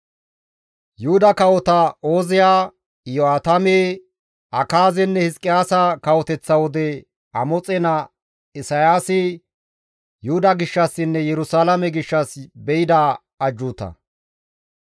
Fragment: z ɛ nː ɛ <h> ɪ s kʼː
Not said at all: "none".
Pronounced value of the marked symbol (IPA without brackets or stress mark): h